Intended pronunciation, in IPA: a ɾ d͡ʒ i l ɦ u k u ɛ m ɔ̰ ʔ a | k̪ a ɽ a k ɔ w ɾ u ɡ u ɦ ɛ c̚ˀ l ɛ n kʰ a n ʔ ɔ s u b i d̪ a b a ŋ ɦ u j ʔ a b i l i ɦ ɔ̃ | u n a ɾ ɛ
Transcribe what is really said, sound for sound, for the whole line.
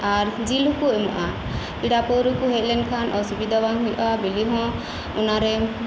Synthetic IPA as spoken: a ɾ d͡ʒ i l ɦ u k u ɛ m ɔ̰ ʔ a | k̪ i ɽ a p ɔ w ɾ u k u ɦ ɛ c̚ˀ l ɛ n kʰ a n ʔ ɔ s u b i d̪ a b a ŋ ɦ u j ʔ a b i l i ɦ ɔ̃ | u n a ɾ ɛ

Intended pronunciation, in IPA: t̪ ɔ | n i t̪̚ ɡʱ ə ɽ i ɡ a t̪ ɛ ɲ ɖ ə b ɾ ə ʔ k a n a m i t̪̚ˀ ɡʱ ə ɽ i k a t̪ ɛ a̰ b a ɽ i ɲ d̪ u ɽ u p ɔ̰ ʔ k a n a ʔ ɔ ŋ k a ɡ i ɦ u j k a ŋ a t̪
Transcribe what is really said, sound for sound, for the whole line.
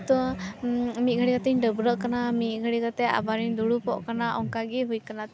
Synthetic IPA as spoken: t̪ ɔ | m i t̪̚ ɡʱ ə ɽ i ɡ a t̪ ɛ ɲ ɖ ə b ɾ ə ʔ k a n a m i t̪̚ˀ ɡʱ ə ɽ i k a t̪ ɛ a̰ b a ɾ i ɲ d̪ u ɽ u p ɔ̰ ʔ k a n a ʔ ɔ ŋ k a ɡ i ɦ u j k a n a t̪

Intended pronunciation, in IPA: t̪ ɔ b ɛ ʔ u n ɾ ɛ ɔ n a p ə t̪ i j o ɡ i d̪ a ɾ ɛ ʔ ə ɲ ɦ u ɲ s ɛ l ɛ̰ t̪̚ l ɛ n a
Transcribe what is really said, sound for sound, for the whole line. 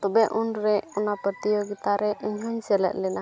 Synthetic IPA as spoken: t̪ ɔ b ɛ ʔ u n ɾ ɛ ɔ n a p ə t̪ i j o ɡ i t̪ a ɾ ɛ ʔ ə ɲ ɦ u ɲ s ɛ l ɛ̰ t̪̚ l ɛ n a

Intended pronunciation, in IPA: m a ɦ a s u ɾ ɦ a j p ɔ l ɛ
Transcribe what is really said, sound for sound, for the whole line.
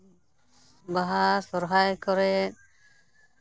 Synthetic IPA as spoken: b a ɦ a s ɔ ɾ ɦ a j k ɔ ɾ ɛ

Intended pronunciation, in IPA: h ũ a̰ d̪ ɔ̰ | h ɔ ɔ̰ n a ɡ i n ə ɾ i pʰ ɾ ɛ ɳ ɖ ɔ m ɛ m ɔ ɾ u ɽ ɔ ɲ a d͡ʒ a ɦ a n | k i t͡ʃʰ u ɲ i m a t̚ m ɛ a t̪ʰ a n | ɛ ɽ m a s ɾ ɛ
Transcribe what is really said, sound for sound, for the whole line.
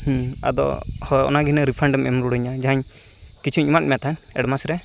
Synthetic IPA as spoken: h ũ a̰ d̪ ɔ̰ | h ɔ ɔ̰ n a ɡ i n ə ɾ i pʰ ɾ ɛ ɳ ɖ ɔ m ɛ m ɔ ɾ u ɽ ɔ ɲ a d͡ʒ a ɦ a ɲ | k i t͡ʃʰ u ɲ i m a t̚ m ɛ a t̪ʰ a n | ɛ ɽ m a s ɾ ɛ

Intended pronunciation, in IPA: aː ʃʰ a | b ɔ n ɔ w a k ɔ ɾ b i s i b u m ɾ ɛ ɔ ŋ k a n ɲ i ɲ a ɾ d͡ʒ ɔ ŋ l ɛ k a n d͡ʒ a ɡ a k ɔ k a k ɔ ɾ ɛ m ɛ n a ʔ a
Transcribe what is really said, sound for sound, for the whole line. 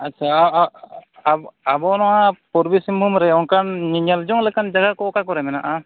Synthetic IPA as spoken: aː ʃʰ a | b ɔ n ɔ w a p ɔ ɾ b i s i m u m ɾ ɛ ɔ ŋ k a n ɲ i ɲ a l d͡ʒ ɔ ŋ l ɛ k a n d͡ʒ a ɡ a k ɔ k a k ɔ ɾ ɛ m ɛ n a ʔ a

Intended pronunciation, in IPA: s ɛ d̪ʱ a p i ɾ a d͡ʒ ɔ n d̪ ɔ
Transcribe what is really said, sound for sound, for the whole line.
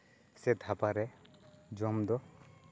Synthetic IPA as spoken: s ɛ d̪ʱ a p a ɾ ɛ d͡ʒ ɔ m d̪ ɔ

